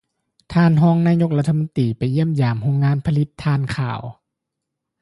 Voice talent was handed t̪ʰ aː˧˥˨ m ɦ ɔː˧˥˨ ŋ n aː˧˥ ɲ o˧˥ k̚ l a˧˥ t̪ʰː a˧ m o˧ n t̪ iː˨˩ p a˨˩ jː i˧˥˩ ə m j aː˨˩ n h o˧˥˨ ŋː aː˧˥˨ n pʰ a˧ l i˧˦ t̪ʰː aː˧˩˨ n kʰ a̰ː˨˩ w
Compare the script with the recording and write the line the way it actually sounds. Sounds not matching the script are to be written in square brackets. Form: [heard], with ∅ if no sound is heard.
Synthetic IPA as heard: t̪ʰ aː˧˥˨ [n] ɦ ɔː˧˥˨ ŋ n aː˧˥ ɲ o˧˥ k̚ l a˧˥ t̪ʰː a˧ m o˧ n t̪ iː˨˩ p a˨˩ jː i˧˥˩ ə m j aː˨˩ [m] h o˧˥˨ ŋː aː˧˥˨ n pʰ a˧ l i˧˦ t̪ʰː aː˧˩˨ n kʰ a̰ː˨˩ w